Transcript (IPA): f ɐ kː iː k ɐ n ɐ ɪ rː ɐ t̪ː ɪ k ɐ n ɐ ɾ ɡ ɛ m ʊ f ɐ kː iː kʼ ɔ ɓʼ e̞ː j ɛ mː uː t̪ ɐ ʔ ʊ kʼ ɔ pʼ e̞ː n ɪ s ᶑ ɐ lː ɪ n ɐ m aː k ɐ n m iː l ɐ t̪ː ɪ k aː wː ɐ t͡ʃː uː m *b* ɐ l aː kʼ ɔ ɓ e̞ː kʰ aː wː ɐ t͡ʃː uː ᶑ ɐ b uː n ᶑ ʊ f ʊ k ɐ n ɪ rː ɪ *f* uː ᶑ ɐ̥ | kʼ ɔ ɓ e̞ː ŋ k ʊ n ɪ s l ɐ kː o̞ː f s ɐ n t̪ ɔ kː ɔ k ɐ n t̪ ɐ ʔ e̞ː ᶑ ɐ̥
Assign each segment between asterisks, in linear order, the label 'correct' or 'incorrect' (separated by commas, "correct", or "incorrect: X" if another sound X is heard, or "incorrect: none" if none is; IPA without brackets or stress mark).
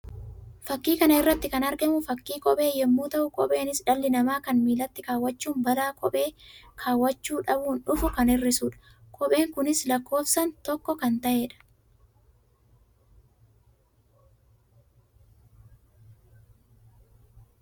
correct, incorrect: s